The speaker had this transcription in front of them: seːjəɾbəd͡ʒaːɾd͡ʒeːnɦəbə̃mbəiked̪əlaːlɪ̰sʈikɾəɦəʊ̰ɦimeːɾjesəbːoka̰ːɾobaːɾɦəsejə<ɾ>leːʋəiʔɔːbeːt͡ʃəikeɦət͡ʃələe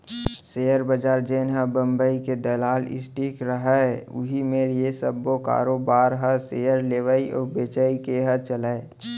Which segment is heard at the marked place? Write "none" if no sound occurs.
ɾ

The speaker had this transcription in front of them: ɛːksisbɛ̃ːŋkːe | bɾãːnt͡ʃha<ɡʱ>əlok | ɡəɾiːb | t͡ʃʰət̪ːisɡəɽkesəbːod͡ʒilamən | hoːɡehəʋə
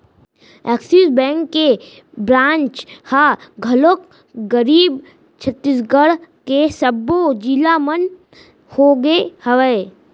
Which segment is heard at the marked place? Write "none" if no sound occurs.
ɡʱ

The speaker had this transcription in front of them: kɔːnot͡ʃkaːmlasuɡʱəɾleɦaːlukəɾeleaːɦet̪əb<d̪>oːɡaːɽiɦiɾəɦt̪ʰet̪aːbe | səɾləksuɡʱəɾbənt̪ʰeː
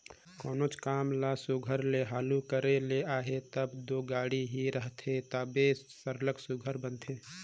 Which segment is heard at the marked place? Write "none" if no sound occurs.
d̪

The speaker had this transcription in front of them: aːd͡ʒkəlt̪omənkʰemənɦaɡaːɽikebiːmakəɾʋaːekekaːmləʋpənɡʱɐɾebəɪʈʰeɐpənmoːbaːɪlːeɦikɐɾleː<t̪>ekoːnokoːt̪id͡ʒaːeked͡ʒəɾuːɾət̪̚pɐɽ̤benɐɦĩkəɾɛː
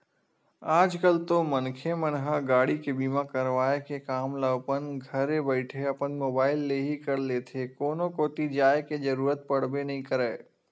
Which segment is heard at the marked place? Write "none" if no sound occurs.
t̪ʰ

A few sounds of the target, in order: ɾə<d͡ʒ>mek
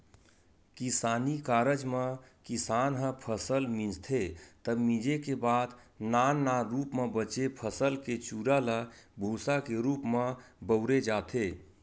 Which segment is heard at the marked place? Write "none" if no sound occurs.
d͡ʒ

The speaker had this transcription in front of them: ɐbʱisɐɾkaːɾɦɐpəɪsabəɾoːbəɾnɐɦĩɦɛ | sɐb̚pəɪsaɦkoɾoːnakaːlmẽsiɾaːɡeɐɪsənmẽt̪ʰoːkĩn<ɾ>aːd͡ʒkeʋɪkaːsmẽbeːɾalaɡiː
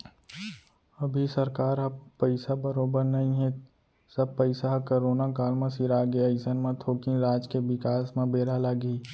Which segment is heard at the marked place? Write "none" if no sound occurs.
ɾ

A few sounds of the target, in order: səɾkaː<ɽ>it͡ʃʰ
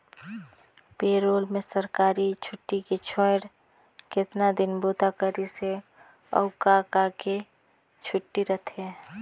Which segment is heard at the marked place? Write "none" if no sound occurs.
ɾ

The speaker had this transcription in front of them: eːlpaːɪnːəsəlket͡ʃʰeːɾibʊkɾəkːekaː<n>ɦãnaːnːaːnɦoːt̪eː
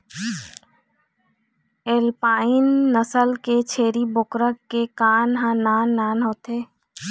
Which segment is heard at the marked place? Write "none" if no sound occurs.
n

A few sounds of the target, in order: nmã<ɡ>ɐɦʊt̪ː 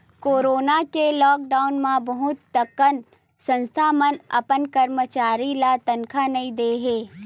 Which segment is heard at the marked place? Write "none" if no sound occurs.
b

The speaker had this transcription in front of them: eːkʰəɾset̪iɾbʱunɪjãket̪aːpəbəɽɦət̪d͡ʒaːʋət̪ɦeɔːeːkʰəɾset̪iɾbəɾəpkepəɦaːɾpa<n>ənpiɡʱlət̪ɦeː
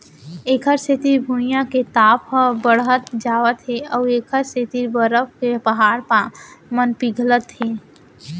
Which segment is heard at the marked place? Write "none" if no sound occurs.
m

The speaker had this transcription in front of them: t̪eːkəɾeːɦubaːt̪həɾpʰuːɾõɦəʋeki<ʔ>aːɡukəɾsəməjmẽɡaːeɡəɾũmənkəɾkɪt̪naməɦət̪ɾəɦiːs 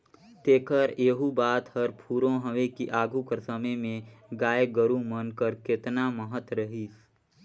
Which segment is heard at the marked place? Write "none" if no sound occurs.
ʔ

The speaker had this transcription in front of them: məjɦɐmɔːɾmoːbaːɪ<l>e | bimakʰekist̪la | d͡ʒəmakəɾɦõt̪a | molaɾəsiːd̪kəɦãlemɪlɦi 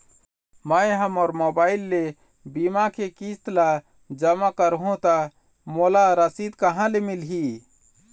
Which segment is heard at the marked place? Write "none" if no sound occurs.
lː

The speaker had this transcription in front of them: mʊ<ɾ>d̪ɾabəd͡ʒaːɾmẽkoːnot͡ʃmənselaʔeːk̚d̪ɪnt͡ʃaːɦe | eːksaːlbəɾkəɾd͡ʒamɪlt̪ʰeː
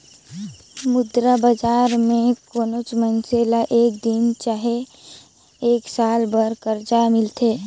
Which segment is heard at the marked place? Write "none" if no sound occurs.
none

